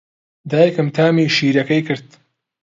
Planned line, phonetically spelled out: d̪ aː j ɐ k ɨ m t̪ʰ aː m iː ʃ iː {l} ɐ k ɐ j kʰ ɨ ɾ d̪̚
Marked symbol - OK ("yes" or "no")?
no